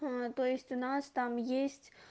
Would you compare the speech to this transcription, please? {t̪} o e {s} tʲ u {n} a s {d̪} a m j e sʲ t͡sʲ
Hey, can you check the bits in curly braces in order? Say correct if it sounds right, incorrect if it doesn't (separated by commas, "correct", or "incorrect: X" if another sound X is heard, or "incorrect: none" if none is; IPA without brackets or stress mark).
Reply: correct, correct, correct, incorrect: t̪